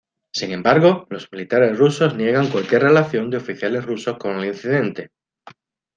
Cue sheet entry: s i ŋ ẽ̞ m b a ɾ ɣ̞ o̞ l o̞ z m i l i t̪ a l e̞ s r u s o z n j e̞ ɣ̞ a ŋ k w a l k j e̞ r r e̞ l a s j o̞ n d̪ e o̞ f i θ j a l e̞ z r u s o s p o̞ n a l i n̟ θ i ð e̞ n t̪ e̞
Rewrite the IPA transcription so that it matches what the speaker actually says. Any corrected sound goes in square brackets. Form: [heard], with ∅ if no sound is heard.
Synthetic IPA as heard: s i ŋ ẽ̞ m b a ɾ ɣ̞ o̞ l o̞ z m i l i t̪ a [ɾ] e̞ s r u s o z n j e̞ ɣ̞ a ŋ k w a l k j e̞ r r e̞ l a [θ] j o̞ n d̪ e o̞ f i θ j a l e̞ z r u s o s [k] o̞ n [e] l i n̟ θ i ð e̞ n t̪ e̞